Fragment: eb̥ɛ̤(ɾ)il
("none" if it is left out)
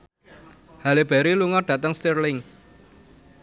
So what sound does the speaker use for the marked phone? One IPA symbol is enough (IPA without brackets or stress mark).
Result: ɾ